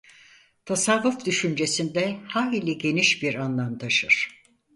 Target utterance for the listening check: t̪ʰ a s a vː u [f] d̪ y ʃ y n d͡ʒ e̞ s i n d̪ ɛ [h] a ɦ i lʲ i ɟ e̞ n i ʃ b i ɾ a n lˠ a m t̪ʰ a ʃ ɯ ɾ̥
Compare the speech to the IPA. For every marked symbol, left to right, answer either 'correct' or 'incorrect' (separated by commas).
correct, correct